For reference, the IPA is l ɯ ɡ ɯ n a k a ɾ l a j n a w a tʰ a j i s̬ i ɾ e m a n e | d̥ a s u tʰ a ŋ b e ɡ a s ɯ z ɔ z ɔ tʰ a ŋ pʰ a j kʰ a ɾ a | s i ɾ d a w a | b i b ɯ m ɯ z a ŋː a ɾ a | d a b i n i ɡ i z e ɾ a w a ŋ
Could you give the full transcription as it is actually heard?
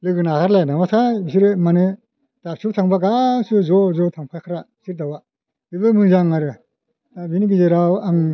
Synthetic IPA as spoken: l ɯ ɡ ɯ n a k a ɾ l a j n a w a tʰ a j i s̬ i ɾ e m a n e | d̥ a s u tʰ a ŋ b a ɡ a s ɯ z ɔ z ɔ tʰ a ŋ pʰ a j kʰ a ɾ a | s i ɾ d a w a | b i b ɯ m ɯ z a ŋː a ɾ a | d a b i n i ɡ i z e ɾ a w a ŋ

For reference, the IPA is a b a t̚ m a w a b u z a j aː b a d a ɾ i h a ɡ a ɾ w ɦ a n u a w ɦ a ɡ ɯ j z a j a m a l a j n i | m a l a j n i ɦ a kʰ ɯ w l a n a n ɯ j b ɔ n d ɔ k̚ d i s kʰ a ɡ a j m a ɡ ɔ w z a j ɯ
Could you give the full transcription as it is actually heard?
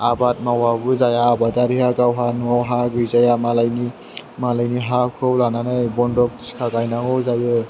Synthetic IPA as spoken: a b a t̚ m a w a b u z a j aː b a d a ɾ i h a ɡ a w ɦ a n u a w ɦ a ɡ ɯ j z a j a m a l a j n i | m a l a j n i ɦ a kʰ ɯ w l a n a n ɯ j b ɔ n d ɔ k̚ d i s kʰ a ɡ a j n a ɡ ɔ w z a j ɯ

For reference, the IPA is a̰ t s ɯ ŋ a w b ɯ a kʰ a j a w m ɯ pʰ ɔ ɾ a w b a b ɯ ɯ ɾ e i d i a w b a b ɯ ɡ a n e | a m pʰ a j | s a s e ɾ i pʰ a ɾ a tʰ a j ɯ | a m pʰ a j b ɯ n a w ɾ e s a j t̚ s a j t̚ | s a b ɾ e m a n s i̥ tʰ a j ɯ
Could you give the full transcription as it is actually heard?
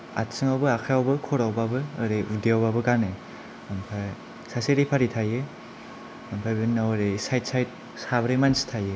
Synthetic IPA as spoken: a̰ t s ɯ ŋ a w b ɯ a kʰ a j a w b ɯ kʰ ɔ ɾ a w b a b ɯ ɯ ɾ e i d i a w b a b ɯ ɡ a n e | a m pʰ a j | s a s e ɾ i pʰ a ɾ i tʰ a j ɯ | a m pʰ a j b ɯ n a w ɾ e s a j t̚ s a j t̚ | s a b ɾ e m a n s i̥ tʰ a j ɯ

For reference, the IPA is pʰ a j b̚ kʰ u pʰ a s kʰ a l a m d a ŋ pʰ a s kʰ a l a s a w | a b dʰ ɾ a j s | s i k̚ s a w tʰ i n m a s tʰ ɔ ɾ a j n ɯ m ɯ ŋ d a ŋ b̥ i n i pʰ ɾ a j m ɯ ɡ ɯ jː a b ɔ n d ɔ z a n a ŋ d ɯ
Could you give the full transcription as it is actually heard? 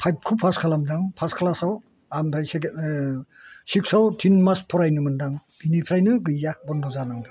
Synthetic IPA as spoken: pʰ a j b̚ kʰ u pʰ a s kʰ a l a m d a ŋ pʰ a s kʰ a l a s a w | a m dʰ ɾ a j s | s i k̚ s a w tʰ i n m a s pʰ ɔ ɾ a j n ɯ m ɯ n d a ŋ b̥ i n i pʰ ɾ a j n ɯ ɡ ɯ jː a b ɔ n d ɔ z a n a ŋ d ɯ

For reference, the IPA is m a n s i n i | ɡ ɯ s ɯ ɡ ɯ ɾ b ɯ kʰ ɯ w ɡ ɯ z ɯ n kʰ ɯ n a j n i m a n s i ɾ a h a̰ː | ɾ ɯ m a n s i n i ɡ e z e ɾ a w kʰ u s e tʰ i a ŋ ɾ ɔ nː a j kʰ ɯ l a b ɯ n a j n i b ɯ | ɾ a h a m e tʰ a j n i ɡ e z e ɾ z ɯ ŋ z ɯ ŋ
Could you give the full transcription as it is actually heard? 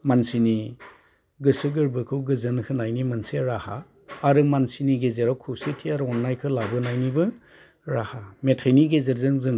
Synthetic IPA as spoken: m a n s i n i | ɡ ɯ s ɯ ɡ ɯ ɾ b ɯ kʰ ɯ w ɡ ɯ z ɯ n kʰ ɯ n a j n i m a n s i ɾ a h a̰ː | ɾ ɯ m a n s i n i ɡ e z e ɾ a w kʰ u s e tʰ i a ɾ ɔ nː a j kʰ ɯ l a b ɯ n a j n i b ɯ | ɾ a h a m e tʰ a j n i ɡ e z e ɾ z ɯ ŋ z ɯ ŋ

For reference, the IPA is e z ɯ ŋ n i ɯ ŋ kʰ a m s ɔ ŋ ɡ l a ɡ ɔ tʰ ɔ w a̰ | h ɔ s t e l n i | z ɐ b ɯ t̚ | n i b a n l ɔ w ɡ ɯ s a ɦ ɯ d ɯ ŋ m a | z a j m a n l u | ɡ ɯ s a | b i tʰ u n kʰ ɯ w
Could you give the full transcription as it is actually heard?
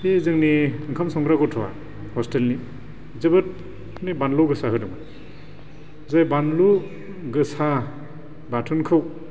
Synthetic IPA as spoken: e z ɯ ŋ n i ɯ ŋ kʰ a m s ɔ ŋ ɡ ɾ a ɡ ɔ tʰ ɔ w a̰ | h ɔ s t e l n i | z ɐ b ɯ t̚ | n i b a n l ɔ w ɡ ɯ s a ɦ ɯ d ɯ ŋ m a | z a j b a n l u | ɡ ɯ s a | b a tʰ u n kʰ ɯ w

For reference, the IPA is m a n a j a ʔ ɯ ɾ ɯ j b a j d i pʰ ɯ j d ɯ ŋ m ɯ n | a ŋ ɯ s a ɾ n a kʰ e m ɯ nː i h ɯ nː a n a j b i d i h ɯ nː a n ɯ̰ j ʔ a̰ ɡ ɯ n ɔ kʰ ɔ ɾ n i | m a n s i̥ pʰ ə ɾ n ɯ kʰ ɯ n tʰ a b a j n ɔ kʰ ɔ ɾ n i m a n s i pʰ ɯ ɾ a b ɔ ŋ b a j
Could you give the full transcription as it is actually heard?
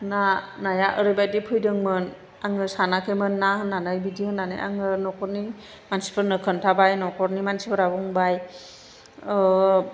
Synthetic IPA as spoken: n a n a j a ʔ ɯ ɾ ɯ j b a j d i pʰ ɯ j d ɯ ŋ m ɯ n | a ŋ ɯ s a n a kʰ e m ɯ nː a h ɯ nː a n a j b i d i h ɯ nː a n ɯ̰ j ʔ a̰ ŋ ɯ n ɔ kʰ ɔ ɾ n i | m a n s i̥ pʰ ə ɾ n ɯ kʰ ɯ n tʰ a b a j n ɔ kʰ ɔ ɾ n i m a n s i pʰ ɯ ɾ a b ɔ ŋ b a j

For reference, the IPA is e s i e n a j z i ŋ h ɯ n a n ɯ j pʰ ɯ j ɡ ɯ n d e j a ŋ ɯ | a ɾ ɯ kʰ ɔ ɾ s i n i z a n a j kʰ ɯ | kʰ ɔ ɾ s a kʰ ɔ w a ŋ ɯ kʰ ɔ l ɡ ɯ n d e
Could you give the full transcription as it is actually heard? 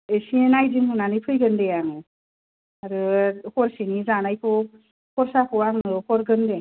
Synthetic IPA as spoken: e s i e n a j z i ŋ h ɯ n a n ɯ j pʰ ɯ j ɡ ɯ n d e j a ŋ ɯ | a ɾ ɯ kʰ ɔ ɾ s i n i z a n a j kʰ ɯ | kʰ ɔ ɾ s a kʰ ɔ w a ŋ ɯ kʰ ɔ ɾ ɡ ɯ n d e

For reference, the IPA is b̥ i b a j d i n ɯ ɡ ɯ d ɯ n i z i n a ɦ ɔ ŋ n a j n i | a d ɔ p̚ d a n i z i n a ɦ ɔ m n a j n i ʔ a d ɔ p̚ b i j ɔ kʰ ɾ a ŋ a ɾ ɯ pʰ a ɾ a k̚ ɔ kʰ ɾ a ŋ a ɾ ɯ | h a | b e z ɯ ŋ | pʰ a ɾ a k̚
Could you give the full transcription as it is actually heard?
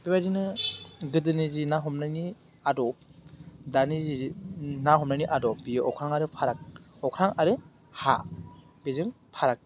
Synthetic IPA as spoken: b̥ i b a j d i n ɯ ɡ ɯ d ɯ n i z i n a ɦ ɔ m n a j n i | a d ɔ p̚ d a n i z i n a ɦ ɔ m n a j n i ʔ a d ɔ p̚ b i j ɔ kʰ ɾ a ŋ a ɾ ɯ pʰ a ɾ a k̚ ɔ kʰ ɾ a ŋ a ɾ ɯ | h a | b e z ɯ ŋ | pʰ a ɾ a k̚

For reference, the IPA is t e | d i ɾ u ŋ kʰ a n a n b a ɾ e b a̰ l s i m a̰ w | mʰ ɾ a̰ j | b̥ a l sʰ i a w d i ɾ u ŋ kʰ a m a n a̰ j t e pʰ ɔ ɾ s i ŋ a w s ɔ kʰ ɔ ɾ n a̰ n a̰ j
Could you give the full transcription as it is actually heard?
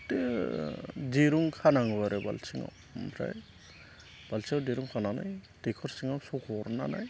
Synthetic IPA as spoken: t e | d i ɾ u ŋ kʰ a n a ŋ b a ɾ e b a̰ l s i ŋ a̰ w | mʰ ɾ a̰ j | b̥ a l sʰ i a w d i ɾ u ŋ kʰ a n a n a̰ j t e kʰ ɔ ɾ s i ŋ a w s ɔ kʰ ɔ ɾ n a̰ n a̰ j

